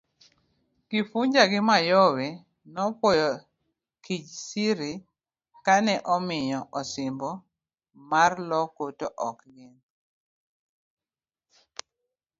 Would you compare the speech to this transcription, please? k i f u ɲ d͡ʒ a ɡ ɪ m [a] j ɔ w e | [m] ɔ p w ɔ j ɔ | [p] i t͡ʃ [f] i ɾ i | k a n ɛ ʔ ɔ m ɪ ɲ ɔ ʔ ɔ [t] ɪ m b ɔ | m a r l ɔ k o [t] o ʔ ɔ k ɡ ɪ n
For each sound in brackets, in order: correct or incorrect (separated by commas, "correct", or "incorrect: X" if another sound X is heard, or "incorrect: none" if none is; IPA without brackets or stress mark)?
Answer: correct, incorrect: n, incorrect: k, incorrect: s, incorrect: s, correct